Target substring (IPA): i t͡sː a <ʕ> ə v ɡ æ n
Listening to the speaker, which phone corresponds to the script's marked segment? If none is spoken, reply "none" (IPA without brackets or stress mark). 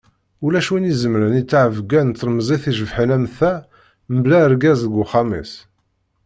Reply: ʕ